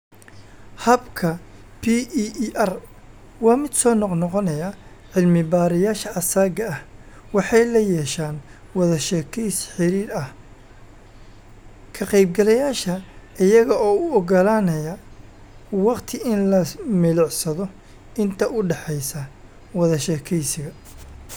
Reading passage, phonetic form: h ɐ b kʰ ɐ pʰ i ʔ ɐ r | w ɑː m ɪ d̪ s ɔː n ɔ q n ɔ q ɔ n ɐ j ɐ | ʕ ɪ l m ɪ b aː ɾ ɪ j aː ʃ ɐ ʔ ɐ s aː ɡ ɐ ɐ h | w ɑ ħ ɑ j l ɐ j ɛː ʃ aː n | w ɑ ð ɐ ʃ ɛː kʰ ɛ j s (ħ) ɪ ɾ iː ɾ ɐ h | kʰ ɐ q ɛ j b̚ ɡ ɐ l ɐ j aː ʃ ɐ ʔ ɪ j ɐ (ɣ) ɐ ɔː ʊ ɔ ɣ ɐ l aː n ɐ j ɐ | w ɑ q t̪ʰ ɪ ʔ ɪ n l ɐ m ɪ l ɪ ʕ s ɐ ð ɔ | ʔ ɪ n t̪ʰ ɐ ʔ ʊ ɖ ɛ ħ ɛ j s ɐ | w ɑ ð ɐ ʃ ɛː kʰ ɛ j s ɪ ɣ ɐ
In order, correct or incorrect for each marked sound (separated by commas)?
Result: correct, correct